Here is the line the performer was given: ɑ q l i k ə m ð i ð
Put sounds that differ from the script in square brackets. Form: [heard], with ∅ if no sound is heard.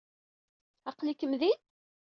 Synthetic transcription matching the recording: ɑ q l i k ə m ð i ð

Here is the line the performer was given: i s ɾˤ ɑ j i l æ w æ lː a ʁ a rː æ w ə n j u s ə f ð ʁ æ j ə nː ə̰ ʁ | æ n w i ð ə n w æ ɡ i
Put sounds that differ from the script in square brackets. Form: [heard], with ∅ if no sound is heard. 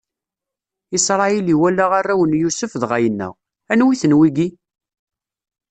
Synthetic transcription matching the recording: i s ɾˤ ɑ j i l [i] w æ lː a ʁ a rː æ w ə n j u s ə f ð ʁ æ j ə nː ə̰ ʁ | æ n w i [θ] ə n w [i] ɡ i

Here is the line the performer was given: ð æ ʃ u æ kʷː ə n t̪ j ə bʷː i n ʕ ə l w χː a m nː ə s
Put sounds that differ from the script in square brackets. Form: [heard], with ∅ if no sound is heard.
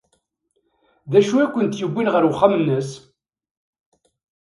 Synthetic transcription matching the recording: ð æ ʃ u æ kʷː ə n t̪ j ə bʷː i n [ʁ] ə [ɾ] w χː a m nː ə s

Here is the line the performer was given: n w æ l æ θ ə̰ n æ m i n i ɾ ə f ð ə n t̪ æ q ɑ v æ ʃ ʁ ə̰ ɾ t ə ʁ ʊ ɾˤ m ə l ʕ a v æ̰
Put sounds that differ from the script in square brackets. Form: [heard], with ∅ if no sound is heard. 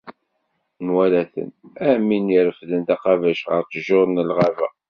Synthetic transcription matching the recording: n w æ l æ θ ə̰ n æ m i n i ɾ ə f ð ə n t̪ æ q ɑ v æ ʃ ʁ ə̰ ɾ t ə [ʒ] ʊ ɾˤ [n] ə l [ʁ] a v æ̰

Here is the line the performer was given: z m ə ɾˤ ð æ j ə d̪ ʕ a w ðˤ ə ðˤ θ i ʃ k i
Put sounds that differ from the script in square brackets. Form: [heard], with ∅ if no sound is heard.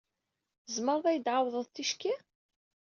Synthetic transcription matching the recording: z m ə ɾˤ ð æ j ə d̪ ʕ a w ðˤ ə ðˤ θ i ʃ k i

